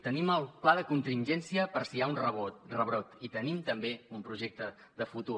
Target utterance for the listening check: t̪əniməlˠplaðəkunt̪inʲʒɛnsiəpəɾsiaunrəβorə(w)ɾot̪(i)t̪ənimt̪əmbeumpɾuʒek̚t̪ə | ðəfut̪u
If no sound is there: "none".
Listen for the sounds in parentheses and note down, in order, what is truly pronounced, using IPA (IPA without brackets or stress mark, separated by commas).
β, i